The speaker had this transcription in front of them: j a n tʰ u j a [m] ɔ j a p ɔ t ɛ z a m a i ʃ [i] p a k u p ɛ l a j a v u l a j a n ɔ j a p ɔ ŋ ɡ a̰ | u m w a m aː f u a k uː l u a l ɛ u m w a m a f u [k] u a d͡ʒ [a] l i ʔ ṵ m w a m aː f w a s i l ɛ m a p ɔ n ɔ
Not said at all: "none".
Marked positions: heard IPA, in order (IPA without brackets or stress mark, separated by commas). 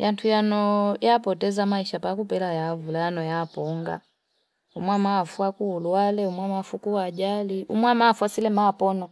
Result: n, a, k, a